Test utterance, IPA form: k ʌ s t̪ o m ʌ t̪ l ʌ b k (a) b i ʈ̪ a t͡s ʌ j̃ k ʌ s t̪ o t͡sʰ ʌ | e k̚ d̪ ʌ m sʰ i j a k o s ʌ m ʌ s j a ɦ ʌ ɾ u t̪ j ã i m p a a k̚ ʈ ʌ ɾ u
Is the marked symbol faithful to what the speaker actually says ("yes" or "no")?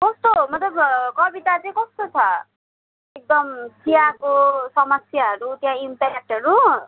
no